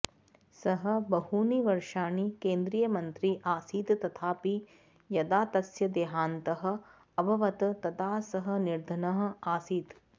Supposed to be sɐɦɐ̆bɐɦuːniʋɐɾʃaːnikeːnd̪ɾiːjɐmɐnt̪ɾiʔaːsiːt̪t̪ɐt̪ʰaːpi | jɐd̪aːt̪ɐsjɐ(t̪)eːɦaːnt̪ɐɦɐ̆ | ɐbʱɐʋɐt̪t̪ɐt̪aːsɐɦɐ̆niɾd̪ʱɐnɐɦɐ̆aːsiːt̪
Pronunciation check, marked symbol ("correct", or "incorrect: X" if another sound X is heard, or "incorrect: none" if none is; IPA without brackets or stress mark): incorrect: d̪